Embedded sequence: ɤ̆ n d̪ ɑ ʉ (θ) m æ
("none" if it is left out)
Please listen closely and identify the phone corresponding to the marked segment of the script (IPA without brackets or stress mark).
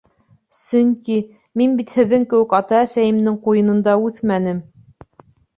θ